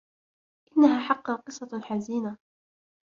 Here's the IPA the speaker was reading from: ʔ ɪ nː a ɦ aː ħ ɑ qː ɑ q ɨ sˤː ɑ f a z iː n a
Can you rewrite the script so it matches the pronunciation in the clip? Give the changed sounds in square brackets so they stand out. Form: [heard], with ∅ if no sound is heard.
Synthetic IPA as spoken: ʔ ɪ nː a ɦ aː ħ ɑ qː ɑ q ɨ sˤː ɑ [ħ] a z iː n a